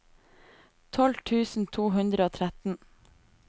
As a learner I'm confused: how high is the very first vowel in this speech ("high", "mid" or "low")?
mid